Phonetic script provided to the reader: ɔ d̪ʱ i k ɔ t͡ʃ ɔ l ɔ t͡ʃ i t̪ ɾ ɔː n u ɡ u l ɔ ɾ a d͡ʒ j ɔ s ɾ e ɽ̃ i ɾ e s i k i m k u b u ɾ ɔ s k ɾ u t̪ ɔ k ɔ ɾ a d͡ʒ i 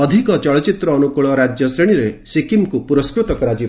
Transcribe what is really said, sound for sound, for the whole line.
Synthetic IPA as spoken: ɔ d̪ʱ i k ɔ t͡ʃ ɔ ɭ ɔ t͡ʃ i t̪ ɾ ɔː n u k u ɭ ɔ ɾ a d͡ʒ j ɔ s ɾ e ɽ̃ i ɾ e s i k i m k u p u ɾ ɔ s k ɾ u t̪ ɔ k ɔ ɾ a d͡ʒ i